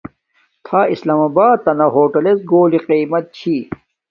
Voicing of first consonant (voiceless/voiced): voiceless